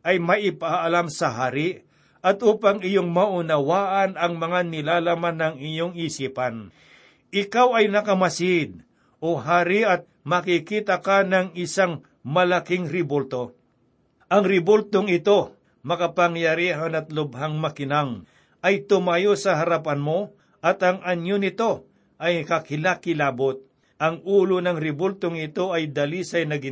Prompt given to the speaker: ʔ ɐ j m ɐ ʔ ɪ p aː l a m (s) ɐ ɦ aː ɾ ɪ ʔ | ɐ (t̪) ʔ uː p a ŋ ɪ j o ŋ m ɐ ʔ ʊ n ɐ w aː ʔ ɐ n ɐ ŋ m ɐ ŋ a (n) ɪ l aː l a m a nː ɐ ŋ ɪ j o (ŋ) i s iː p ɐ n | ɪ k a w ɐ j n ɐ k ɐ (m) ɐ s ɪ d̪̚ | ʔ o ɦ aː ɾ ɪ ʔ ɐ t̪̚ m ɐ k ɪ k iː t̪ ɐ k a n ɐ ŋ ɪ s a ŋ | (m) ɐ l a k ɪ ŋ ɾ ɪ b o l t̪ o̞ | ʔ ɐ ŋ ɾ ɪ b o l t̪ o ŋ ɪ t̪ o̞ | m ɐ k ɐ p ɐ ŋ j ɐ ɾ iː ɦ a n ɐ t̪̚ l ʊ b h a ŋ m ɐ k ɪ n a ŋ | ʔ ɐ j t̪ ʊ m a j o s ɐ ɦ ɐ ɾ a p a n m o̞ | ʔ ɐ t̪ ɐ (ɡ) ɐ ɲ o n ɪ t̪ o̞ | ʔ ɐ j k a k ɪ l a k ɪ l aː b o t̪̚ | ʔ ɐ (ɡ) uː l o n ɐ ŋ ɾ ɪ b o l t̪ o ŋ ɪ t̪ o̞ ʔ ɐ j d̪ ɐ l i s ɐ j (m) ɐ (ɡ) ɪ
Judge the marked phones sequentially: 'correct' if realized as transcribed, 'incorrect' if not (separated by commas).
correct, correct, correct, correct, correct, correct, incorrect, incorrect, incorrect, correct